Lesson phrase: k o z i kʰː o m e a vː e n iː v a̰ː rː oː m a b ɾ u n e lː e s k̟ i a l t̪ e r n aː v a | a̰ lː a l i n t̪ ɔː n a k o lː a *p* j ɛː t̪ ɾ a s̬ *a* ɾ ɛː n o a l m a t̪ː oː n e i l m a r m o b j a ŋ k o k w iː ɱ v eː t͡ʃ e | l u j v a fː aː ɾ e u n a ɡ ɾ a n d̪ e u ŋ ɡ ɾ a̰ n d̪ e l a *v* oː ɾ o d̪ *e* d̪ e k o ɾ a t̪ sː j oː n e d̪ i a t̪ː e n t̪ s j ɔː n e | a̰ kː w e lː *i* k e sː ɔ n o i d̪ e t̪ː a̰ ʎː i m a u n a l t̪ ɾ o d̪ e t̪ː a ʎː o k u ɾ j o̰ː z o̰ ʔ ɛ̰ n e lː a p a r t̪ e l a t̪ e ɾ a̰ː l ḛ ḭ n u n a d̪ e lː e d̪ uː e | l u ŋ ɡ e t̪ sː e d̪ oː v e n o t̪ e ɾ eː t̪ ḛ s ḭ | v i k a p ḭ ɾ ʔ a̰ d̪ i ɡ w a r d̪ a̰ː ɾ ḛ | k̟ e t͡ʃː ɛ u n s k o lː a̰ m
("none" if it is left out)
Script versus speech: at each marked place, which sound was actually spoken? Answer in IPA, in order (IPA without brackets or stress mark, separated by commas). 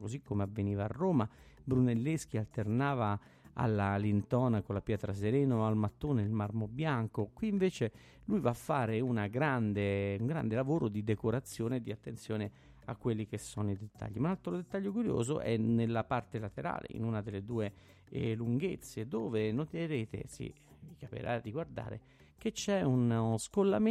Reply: p, e, v, i, i